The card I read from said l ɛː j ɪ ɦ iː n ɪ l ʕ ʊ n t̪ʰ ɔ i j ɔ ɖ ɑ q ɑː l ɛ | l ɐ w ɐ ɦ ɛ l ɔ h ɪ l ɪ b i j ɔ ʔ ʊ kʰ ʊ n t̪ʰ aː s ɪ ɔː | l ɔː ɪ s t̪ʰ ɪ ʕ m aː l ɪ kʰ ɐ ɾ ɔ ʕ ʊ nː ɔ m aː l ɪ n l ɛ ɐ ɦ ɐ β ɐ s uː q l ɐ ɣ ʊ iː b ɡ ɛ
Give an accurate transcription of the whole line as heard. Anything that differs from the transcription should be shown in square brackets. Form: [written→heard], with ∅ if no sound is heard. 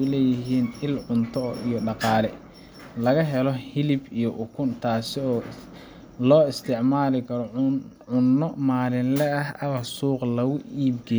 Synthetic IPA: l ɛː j ɪ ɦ iː n ɪ l ʕ ʊ n t̪ʰ ɔ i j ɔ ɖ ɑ q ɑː l ɛ | l ɐ [w→ɣ] ɐ ɦ ɛ l ɔ h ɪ l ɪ b i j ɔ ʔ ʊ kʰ ʊ n t̪ʰ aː s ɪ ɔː | l ɔː ɪ s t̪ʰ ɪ ʕ m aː l ɪ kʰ ɐ ɾ ɔ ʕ ʊ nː ɔ m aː l ɪ n l ɛ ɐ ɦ ɐ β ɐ s uː q l ɐ ɣ ʊ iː b ɡ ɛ